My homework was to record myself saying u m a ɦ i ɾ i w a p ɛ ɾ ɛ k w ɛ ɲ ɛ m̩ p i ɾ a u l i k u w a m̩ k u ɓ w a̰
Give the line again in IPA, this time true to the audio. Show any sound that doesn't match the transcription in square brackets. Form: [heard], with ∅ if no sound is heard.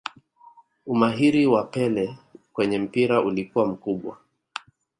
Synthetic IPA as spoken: u m a ɦ i ɾ i w a p ɛ [l] ɛ k w ɛ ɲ ɛ m̩ p i ɾ a u l i k u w a m̩ k u ɓ w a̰